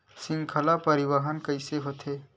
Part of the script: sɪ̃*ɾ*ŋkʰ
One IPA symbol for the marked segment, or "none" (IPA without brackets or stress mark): none